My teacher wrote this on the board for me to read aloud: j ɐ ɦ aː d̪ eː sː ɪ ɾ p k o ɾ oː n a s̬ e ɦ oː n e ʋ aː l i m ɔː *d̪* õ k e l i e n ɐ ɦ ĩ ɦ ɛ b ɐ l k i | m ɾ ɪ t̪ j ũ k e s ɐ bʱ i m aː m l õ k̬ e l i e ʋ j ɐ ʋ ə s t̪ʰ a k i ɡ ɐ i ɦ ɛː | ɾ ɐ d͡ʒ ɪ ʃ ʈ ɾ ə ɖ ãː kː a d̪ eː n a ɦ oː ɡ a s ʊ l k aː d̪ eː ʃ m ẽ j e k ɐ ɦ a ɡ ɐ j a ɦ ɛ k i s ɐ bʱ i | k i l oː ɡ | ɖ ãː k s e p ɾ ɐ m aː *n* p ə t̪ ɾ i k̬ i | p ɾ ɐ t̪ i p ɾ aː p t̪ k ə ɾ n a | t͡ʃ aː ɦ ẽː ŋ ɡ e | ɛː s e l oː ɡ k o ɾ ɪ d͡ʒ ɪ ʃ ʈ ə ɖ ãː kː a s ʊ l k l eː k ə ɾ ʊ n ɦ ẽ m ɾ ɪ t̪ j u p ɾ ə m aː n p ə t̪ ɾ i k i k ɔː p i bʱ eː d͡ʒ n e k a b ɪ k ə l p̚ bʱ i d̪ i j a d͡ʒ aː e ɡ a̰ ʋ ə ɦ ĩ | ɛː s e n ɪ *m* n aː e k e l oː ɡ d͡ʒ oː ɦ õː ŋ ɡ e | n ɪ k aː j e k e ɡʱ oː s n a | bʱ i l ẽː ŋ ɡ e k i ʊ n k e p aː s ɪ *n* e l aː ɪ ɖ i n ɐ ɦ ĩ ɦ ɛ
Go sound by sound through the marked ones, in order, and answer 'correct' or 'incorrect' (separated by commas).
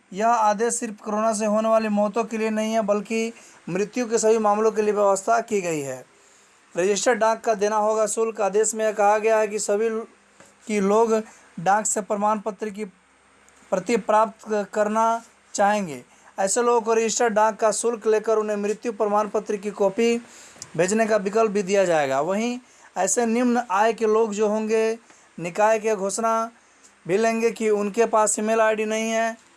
incorrect, correct, correct, incorrect